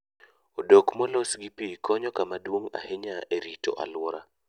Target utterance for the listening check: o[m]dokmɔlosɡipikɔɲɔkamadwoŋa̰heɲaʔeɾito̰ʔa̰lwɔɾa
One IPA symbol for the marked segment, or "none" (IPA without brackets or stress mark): none